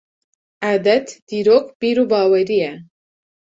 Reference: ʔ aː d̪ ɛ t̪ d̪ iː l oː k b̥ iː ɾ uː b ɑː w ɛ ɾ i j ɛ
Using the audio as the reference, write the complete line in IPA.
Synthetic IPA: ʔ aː d̪ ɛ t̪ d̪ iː ɾ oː k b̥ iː ɾ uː b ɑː w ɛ ɾ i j ɛ